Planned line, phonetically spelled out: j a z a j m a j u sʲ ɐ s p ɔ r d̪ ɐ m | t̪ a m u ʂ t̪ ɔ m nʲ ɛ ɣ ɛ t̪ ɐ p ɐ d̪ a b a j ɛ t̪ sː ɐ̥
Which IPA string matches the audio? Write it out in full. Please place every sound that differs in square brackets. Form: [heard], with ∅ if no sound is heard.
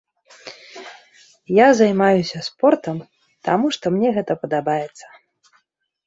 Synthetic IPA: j a z a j m a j u sʲ ɐ s p ɔ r [t̪] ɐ m | t̪ a m u ʂ t̪ ɔ m nʲ ɛ ɣ ɛ t̪ ɐ p ɐ d̪ a b a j ɛ t̪ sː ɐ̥

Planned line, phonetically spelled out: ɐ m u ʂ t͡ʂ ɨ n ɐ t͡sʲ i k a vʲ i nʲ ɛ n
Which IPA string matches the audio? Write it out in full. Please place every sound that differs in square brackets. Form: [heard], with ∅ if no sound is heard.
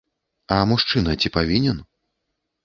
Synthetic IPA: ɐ m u ʂ t͡ʂ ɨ n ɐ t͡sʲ i [p] a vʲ i nʲ ɛ n

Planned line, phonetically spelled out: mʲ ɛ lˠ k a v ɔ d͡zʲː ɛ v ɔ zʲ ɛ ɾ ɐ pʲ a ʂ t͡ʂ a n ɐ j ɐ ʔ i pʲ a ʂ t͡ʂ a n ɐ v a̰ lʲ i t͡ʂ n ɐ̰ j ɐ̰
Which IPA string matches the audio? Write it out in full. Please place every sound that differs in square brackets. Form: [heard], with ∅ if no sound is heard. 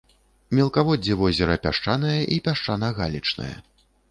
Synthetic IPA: mʲ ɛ lˠ k a v ɔ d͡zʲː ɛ v ɔ zʲ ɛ ɾ ɐ pʲ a ʂ t͡ʂ a n ɐ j ɐ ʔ i pʲ a ʂ t͡ʂ a n ɐ [ɣ] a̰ lʲ i t͡ʂ n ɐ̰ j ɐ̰

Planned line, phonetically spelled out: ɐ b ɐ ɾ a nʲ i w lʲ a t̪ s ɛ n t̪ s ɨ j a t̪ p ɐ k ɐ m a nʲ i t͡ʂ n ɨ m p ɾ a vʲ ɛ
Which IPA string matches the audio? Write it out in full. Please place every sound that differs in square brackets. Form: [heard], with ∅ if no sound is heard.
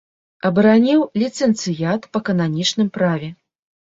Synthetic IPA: ɐ b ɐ ɾ a nʲ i w lʲ [i] t̪ s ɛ n t̪ s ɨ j a t̪ p ɐ k ɐ [n] a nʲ i t͡ʂ n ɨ m p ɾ a vʲ ɛ

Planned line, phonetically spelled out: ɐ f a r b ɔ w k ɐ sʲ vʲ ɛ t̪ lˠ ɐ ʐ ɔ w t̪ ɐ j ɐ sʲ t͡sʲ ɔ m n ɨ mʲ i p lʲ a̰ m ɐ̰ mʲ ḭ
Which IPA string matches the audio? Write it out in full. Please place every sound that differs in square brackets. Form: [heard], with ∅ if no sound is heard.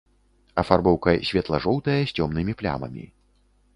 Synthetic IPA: ɐ f a r b ɔ w k ɐ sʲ vʲ ɛ t̪ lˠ ɐ ʐ ɔ w t̪ ɐ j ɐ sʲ t͡sʲ ɔ m n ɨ mʲ i p lʲ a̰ m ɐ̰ mʲ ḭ

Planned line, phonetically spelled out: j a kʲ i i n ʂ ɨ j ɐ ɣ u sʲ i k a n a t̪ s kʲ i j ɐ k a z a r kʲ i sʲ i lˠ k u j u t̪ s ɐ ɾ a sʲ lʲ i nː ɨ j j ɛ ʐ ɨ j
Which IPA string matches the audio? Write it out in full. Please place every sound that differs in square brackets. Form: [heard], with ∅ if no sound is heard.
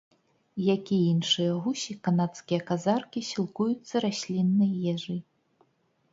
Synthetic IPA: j a kʲ i i n ʂ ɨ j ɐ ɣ u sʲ i k a n a t̪ s kʲ i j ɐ k a z a r kʲ i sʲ i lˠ k u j u t̪ [sː] ɐ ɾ a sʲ lʲ i nː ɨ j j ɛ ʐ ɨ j

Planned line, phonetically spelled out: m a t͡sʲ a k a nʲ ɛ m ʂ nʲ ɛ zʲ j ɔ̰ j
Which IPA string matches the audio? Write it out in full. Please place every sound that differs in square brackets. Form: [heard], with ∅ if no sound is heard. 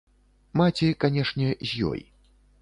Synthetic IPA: m a t͡sʲ [i] k a nʲ ɛ [∅] ʂ nʲ ɛ zʲ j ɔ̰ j

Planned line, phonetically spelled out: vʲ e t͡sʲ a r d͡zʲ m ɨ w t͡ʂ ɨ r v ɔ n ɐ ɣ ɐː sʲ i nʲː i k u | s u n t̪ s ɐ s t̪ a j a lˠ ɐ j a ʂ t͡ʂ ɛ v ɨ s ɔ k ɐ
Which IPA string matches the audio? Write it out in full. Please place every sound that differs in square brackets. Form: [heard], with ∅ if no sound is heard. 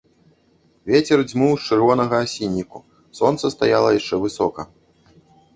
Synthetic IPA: vʲ e t͡sʲ [ɛ] r d͡zʲ m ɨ w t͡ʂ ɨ r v ɔ n ɐ ɣ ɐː sʲ i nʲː i k u | s [ɔ] n t̪ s ɐ s t̪ a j a lˠ ɐ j a ʂ t͡ʂ ɛ v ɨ s ɔ k ɐ

